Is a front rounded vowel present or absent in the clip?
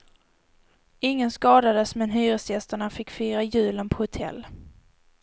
present